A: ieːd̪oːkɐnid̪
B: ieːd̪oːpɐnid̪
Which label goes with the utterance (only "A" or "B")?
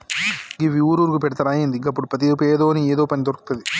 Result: B